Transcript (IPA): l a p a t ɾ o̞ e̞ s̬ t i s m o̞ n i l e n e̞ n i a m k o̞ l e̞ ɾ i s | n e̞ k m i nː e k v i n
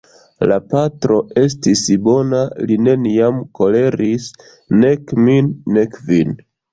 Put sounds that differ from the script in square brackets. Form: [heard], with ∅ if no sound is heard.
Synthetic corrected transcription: l a p a t ɾ o̞ e̞ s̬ t i s [b] o̞ n [a] l [i] n e̞ n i a m k o̞ l e̞ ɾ i s | n e̞ k m i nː e k v i n